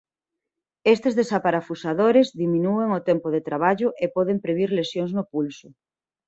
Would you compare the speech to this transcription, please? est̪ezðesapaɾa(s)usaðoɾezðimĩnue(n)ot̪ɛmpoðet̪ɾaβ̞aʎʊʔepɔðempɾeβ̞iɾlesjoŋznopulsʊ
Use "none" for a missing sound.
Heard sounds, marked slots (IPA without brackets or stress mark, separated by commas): f, ŋ